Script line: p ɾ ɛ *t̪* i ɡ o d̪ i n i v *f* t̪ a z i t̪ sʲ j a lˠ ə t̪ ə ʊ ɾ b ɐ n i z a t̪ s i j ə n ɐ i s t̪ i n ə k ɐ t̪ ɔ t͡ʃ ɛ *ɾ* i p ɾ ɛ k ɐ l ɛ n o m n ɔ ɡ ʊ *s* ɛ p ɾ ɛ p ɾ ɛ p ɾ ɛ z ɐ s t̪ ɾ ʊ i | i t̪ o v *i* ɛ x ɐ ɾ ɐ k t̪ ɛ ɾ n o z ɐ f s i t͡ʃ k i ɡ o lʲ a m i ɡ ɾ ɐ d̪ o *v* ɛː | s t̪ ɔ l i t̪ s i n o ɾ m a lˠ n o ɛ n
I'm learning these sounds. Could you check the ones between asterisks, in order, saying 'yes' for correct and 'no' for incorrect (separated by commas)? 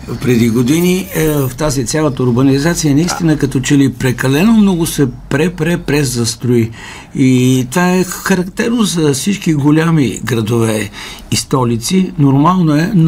no, yes, no, yes, no, yes